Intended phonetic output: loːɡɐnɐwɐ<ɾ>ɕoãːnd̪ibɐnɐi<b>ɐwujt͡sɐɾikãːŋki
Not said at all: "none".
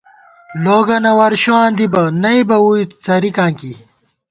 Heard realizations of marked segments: ɾ, b

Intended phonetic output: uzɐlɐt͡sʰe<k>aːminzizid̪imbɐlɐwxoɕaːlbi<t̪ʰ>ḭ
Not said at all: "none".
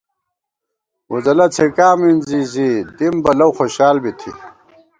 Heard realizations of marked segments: k, t̪ʰ

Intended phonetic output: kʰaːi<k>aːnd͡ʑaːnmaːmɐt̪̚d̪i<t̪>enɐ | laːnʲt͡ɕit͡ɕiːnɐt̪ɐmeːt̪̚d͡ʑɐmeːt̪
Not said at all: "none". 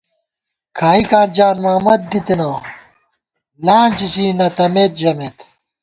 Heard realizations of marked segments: k, t̪

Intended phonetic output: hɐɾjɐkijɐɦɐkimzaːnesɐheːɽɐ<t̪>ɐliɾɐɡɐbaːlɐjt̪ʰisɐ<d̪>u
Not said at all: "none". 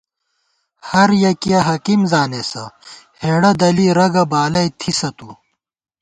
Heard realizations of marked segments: d̪, t̪

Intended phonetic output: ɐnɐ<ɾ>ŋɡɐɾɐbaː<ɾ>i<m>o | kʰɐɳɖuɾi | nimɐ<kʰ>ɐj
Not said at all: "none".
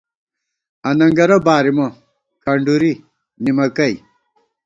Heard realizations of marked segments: none, ɾ, m, k

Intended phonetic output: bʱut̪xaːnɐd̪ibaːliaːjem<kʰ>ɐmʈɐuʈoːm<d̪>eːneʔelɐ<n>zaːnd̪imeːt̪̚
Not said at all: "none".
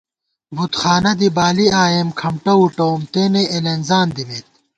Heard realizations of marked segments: kʰ, t̪, n

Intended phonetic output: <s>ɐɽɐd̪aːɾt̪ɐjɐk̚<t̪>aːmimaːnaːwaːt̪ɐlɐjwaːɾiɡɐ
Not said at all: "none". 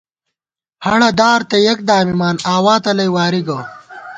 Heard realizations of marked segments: h, d̪

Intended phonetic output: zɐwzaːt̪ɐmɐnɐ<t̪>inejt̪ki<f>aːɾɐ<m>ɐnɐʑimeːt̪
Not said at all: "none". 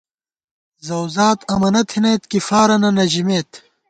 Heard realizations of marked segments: t̪ʰ, f, n

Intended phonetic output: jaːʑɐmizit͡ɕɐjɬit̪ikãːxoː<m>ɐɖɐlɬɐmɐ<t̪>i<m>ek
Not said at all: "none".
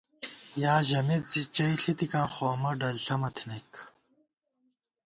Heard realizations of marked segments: m, t̪ʰ, n

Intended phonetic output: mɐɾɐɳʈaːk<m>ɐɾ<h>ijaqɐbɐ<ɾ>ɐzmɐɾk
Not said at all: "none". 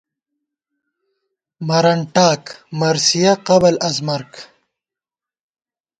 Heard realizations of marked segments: m, s, l

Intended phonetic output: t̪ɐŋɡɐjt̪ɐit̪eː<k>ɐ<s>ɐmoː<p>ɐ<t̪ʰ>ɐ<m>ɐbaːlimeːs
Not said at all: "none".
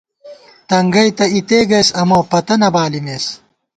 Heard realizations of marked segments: ɡ, s, p, t̪, n

